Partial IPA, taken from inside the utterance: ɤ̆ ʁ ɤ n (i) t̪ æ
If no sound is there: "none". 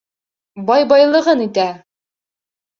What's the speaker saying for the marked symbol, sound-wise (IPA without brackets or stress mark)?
i